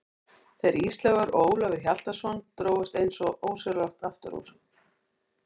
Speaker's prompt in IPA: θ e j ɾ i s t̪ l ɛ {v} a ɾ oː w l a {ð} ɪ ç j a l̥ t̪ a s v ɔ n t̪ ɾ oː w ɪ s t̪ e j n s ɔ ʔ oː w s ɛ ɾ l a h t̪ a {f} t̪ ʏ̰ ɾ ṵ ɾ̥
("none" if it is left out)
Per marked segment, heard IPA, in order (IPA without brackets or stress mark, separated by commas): ɣ, v, f